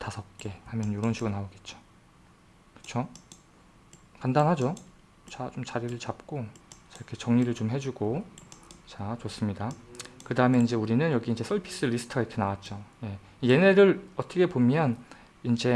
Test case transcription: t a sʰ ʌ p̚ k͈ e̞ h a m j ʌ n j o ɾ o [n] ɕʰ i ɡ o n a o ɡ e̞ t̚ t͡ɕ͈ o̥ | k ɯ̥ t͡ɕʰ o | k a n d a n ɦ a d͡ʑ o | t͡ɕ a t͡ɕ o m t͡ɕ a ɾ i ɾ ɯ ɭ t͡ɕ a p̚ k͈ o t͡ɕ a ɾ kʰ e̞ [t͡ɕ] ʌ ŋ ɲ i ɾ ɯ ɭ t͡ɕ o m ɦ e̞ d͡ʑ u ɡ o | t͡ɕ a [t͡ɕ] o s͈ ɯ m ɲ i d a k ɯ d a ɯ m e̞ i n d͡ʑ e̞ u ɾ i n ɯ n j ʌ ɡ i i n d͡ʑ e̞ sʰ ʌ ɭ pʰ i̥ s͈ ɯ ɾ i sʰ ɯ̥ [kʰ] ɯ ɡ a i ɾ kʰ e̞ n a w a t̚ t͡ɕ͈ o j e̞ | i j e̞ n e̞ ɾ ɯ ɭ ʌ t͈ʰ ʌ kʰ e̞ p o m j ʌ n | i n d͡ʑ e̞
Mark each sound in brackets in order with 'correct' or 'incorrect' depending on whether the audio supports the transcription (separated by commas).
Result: correct, correct, correct, incorrect